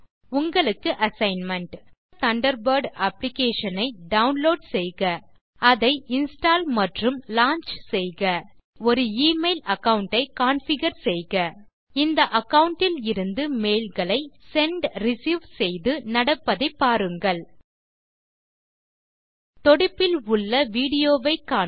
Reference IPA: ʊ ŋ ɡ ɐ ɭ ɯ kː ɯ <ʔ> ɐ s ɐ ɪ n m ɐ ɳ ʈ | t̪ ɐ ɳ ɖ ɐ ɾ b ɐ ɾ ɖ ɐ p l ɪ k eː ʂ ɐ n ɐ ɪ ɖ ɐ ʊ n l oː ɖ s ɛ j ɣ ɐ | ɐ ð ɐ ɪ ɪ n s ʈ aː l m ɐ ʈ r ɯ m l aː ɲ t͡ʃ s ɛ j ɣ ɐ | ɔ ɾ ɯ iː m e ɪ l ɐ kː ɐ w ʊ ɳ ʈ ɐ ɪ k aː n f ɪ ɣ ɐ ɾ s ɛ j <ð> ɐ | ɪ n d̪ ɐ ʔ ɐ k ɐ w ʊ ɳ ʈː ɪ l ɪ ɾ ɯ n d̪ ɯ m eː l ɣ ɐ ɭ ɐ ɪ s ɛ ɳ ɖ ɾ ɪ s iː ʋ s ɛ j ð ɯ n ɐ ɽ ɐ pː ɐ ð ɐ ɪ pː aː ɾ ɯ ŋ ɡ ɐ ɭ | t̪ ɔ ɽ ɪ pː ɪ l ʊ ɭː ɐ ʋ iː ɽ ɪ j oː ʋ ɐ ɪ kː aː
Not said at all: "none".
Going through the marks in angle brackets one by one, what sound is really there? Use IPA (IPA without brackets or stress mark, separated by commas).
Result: ʔ, ɣ